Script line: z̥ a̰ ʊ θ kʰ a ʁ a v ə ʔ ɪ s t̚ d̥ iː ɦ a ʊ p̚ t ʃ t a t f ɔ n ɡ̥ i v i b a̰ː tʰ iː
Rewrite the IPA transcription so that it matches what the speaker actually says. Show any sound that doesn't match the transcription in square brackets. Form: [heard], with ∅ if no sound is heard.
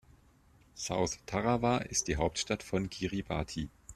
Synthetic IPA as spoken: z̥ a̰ ʊ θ [tʰ] a ʁ a v [a] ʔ ɪ s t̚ d̥ iː ɦ a ʊ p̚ t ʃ t a t f ɔ n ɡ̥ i [ʁ] i b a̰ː tʰ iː